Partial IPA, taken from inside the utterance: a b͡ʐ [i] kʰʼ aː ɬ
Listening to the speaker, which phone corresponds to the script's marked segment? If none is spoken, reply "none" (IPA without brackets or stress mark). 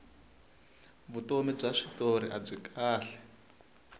i